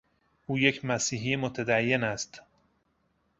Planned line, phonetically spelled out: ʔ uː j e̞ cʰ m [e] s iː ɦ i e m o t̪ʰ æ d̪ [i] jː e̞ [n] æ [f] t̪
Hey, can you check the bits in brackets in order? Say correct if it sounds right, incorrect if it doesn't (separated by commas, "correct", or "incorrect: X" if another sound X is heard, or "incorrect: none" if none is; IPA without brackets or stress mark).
incorrect: æ, incorrect: æ, correct, incorrect: s